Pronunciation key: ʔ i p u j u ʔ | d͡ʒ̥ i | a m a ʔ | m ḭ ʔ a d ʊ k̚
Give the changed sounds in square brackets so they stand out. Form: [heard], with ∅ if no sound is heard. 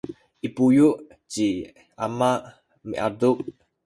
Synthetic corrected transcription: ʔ i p u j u ʔ | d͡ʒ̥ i | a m a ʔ | m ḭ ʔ a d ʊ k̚